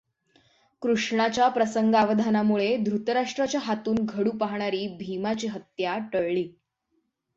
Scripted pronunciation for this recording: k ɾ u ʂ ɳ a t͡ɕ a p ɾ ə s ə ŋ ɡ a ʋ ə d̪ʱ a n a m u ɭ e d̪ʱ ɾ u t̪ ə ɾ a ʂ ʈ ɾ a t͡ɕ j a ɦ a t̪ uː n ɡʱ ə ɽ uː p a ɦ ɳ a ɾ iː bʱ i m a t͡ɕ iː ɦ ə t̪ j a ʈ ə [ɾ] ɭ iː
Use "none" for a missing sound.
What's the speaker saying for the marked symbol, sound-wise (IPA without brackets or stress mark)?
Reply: ɭ